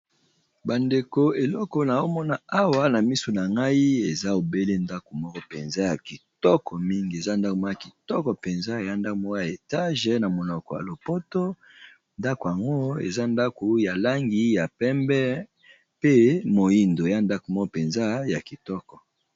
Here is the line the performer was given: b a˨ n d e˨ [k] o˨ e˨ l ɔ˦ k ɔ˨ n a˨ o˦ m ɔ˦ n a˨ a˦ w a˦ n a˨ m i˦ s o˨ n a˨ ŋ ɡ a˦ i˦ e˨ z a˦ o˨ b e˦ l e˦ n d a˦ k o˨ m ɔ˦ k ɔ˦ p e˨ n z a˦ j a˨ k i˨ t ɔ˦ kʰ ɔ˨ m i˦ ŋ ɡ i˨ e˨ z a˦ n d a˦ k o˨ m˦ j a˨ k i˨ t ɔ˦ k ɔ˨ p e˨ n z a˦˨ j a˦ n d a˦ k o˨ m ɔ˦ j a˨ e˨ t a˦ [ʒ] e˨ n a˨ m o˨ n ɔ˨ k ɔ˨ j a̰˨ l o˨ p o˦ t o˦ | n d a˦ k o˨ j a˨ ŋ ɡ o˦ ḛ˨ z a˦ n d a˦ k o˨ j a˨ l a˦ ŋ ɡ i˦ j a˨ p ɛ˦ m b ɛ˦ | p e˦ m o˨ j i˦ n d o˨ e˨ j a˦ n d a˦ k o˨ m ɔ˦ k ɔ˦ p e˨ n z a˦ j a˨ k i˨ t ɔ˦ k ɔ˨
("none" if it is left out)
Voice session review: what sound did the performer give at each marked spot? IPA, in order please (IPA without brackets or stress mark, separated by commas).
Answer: k, ʒ